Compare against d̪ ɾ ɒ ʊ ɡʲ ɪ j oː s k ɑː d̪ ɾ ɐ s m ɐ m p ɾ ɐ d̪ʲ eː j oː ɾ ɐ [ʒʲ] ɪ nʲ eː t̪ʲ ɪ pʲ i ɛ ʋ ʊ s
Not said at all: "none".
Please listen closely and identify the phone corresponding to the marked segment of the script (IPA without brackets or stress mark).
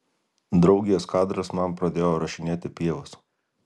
ʃʲ